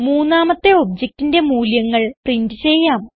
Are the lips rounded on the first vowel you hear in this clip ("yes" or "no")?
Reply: yes